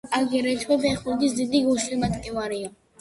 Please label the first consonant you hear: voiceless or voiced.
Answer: voiced